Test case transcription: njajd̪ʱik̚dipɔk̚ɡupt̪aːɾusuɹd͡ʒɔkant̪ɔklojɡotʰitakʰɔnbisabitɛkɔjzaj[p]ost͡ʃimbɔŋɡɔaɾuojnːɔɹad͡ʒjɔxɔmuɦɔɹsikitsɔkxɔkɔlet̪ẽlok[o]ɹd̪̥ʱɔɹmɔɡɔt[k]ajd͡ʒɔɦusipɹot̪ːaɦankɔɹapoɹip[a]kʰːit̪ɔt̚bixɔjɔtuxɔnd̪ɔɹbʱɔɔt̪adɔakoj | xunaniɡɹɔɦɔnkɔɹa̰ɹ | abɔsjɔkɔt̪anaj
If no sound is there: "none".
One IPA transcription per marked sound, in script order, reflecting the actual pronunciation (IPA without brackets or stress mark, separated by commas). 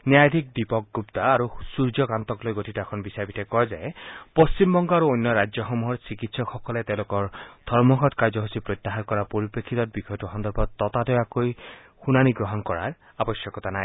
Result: p, ɔ, k, e